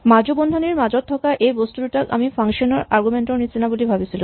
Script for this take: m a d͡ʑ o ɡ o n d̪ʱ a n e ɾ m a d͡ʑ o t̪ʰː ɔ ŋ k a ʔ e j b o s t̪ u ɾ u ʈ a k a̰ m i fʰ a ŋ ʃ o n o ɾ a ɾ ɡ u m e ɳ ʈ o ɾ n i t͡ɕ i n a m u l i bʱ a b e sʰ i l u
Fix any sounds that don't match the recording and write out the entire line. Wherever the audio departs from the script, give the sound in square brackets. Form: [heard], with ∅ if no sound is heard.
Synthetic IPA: m a d͡ʑ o [b] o n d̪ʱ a n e ɾ m a d͡ʑ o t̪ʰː ɔ [∅] k a ʔ e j b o s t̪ u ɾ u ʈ a k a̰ m i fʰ a ŋ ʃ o n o ɾ a ɾ ɡ u m e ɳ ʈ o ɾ n i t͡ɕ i n a [b] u l i bʱ a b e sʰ i l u